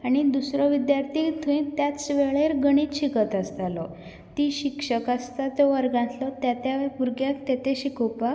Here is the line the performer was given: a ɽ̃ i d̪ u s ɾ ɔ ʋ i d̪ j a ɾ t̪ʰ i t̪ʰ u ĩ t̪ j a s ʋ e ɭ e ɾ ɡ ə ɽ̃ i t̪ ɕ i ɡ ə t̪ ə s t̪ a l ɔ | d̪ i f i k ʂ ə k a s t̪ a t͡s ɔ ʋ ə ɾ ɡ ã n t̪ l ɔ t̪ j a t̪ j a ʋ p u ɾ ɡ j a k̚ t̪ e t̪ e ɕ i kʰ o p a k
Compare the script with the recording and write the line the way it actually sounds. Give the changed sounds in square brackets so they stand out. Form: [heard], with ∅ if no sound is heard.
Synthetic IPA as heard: a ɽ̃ i d̪ u s ɾ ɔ ʋ i d̪ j a ɾ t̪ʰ i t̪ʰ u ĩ t̪ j a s ʋ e ɭ e ɾ ɡ ə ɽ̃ i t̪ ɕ i [k] ə t̪ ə s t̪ a l ɔ | [t̪] i [ɕ] i k ʂ ə k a s t̪ a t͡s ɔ ʋ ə ɾ ɡ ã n t̪ l ɔ t̪ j a t̪ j a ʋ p u ɾ ɡ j a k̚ t̪ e t̪ e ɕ i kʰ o p a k